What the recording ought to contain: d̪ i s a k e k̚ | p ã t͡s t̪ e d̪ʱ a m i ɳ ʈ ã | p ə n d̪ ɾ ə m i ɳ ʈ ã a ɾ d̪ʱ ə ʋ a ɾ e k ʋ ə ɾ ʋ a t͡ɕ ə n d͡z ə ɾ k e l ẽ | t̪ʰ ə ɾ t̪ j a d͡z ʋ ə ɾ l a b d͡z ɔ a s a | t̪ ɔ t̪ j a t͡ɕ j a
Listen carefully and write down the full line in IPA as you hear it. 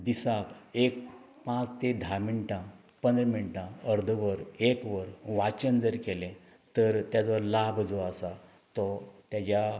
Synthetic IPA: d̪ i s a k e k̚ | p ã t͡s t̪ e d̪ʱ a m i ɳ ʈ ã | p ə n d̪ ɾ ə m i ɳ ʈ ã ə ɾ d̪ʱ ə ʋ ə ɾ e k ʋ ə ɾ ʋ a t͡ɕ ə n d͡z ə ɾ k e l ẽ | t̪ ə ɾ t̪ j a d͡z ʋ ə ɾ l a b d͡z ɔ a s a | t̪ ɔ t̪ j a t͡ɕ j a

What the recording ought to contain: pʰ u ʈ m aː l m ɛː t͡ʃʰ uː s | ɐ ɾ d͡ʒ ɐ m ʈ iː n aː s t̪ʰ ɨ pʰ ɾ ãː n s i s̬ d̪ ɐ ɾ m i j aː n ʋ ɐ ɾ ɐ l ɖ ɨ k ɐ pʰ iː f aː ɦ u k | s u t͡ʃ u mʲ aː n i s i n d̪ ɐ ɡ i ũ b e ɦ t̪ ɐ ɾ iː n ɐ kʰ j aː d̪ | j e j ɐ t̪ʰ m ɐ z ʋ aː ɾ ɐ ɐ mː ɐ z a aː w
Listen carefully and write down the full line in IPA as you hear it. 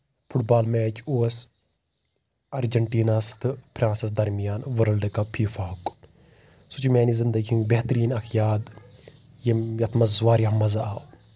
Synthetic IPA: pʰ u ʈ b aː l m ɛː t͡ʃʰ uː s | ɐ ɾ d͡ʒ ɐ ɳ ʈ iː n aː s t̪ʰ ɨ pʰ ɾ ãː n s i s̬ d̪ ɐ ɾ m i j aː n ʋ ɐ ɾ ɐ l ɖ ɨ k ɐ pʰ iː f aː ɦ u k | s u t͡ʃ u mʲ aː n i z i n d̪ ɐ ɡ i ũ b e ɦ t̪ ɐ ɾ iː n ɐ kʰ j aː d̪ | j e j ɐ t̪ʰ m ɐ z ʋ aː ɾ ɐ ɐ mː ɐ z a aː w

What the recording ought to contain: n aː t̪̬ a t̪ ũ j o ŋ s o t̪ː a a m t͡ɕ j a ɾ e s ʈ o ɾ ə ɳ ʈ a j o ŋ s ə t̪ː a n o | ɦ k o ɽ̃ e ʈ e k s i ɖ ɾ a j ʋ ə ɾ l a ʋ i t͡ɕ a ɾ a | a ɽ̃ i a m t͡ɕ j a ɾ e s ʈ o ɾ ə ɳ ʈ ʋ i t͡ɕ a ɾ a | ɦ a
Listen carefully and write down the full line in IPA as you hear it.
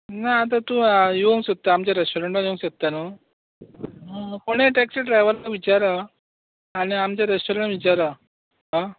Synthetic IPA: n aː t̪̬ a t̪ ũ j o ŋ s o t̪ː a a m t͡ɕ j a ɾ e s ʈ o ɾ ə ɳ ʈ a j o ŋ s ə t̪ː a n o | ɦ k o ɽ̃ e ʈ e k s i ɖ ɾ a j ʋ ə ɾ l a ʋ i t͡ɕ a ɾ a | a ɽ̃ i a m t͡ɕ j a ɾ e s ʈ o ɾ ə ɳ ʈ ʋ i t͡ɕ a ɾ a | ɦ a

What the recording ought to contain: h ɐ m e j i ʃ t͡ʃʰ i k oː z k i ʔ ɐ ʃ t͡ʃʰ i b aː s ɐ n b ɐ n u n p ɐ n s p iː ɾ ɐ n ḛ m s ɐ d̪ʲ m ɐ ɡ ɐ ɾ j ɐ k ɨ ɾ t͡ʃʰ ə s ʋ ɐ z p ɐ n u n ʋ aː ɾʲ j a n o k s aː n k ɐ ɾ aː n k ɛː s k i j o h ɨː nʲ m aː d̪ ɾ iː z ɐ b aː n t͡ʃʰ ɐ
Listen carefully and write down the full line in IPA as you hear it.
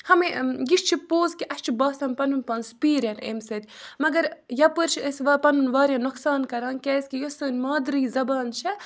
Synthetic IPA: h ɐ m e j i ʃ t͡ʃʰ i p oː z k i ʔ ɐ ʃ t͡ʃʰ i b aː s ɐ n p ɐ n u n p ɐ n s p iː ɾ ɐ n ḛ m s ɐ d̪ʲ m ɐ ɡ ɐ ɾ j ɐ p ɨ ɾ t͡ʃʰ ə s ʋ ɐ p ɐ n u n ʋ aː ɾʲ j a n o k s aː n k ɐ ɾ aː n k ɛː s k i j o s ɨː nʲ m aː d̪ ɾ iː z ɐ b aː n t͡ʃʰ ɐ

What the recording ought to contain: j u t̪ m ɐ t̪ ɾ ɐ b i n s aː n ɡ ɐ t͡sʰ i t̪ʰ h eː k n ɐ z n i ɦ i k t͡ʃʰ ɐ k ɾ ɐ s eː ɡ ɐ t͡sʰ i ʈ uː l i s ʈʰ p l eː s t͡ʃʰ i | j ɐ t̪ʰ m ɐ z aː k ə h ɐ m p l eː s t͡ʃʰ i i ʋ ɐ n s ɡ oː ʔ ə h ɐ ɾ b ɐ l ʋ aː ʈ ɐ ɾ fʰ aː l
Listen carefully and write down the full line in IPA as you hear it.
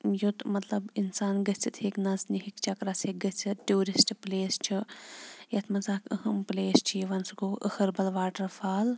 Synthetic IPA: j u t̪ m ɐ t̪ l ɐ b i n s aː n ɡ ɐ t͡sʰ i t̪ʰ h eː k n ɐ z n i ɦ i k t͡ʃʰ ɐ k ɾ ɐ s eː ɡ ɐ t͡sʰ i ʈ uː ɾ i s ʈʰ p l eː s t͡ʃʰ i | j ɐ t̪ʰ m ɐ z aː k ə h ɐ m p l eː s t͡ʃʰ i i ʋ ɐ n s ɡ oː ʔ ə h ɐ ɾ b ɐ l ʋ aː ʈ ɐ ɾ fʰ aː l

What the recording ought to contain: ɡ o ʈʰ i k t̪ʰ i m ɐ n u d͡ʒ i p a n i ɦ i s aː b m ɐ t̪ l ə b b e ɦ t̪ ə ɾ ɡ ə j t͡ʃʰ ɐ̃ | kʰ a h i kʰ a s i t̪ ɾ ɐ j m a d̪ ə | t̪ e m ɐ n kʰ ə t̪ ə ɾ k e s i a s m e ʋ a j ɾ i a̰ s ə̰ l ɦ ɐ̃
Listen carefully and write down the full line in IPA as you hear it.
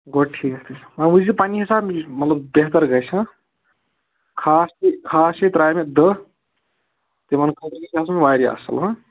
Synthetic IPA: ɡ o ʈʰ i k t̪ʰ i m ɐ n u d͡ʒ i p a n i ɦ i s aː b m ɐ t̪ l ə b b e ɦ t̪ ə ɾ ɡ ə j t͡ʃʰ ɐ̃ | kʰ a s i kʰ a s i t̪ ɾ a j m e d̪ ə | t̪ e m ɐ n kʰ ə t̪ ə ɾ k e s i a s m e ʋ a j ɾ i a̰ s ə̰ l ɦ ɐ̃

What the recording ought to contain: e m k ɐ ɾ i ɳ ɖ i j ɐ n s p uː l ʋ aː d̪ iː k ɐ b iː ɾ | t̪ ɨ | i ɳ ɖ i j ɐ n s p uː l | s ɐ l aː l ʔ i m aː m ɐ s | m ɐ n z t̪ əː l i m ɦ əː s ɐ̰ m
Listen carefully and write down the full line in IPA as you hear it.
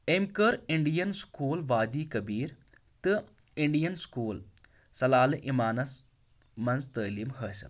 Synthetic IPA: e m k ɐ ɾ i ɳ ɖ i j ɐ n s k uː l ʋ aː d̪ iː k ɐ b iː ɾ | t̪ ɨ | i ɳ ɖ i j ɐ n s k uː l | s ɐ l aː l ʔ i m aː n ɐ s | m ɐ n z t̪ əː l i m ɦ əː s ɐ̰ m

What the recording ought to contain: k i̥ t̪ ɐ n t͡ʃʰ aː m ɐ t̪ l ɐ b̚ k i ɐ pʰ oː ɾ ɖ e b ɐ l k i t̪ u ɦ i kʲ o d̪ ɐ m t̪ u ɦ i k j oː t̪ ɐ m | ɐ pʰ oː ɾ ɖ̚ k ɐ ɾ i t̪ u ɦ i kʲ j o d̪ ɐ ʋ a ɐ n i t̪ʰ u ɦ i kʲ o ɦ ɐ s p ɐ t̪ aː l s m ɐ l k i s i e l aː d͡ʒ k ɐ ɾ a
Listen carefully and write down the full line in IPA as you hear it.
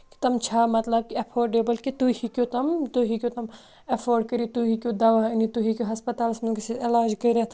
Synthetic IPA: k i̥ t̪ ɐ m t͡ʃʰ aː m ɐ t̪ l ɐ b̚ k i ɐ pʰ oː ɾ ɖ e b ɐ l k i t̪ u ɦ i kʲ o t̪ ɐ m t̪ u ɦ i k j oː t̪ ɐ m | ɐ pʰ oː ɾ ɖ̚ k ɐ ɾ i t̪ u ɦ i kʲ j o d̪ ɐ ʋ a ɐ n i t̪ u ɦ i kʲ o ɦ ɐ s p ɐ t̪ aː l s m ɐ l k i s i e l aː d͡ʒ k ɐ ɾ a

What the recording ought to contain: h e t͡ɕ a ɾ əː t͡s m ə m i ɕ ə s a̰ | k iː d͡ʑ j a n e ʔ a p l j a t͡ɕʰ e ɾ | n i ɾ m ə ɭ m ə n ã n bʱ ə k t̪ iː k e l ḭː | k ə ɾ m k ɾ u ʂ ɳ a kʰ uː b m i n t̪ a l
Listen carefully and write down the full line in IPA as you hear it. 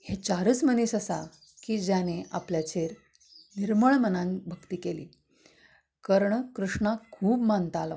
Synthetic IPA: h e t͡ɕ a ɾ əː t͡s m ə n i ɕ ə s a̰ | k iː d͡ʑ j a n e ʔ a p l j a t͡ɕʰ e ɾ | n i ɾ m ə ɭ m ə n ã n bʱ ə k t̪ iː k e l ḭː | k ə ɾ ɳ k ɾ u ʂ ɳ a kʰ uː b m a n t̪ a l

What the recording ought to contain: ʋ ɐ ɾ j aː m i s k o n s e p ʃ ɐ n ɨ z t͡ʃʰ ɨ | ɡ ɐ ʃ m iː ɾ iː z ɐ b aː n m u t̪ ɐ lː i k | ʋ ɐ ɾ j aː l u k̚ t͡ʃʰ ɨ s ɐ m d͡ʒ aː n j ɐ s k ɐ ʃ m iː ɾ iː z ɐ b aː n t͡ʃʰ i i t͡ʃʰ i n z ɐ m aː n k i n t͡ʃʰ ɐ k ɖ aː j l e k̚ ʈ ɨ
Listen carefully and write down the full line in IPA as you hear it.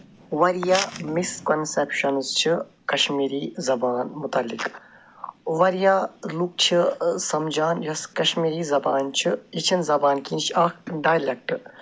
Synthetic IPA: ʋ ɐ ɾ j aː m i s k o n s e p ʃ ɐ n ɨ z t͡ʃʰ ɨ | k ɐ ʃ m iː ɾ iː z ɐ b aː n m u t̪ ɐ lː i k | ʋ ɐ ɾ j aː l u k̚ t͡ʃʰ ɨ s ɐ m d͡ʒ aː n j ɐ s k ɐ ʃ m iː ɾ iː z ɐ b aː n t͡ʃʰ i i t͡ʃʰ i n z ɐ b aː n k i n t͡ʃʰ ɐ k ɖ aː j l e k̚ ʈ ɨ

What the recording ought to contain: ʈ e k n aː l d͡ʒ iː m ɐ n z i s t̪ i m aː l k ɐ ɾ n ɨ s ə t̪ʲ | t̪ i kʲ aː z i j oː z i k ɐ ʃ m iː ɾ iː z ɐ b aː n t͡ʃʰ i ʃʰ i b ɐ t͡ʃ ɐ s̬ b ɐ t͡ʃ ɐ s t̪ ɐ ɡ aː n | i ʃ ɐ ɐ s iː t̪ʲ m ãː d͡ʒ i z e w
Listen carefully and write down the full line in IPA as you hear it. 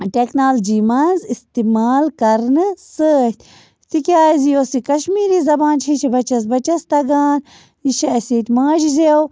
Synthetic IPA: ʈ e k n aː l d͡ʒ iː m ɐ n z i s t̪ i m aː l k ɐ ɾ n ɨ s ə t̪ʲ | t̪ i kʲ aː z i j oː s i k ɐ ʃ m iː ɾ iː z ɐ b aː n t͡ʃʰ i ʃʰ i b ɐ t͡ʃ ɐ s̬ b ɐ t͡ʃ ɐ s t̪ ɐ ɡ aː n | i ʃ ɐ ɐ s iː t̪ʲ m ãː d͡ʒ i z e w

